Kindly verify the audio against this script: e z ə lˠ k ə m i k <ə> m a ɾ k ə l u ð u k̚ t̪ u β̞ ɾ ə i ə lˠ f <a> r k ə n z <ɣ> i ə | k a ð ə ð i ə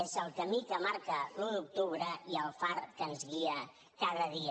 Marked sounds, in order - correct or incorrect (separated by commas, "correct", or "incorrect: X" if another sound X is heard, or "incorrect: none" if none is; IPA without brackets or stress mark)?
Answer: correct, correct, correct